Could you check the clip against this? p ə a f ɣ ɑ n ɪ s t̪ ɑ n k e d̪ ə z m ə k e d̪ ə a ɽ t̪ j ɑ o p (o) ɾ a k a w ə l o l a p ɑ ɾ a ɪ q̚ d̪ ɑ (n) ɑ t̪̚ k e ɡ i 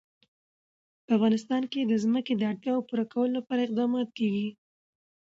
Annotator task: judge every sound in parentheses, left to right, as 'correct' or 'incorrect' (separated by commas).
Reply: incorrect, incorrect